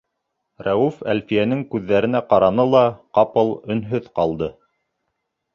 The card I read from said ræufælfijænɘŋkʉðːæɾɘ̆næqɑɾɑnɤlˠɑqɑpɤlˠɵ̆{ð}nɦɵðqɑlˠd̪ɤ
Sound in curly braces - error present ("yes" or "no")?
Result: yes